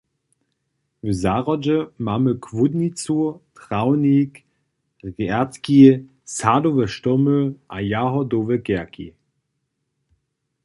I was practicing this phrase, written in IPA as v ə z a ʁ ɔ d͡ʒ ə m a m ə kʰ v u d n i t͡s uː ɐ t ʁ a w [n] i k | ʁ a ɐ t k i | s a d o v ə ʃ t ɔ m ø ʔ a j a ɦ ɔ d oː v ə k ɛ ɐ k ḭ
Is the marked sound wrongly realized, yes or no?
no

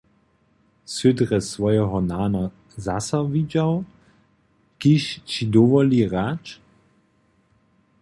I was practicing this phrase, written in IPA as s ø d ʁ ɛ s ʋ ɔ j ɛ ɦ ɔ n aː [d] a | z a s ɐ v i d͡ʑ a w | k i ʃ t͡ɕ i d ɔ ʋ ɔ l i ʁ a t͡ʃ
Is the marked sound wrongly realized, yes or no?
yes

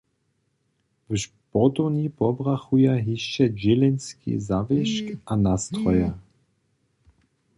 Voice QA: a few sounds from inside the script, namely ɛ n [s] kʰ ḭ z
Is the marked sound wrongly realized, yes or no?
no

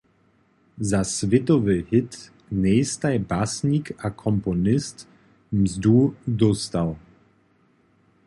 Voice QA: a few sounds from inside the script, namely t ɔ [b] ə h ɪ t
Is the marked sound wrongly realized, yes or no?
yes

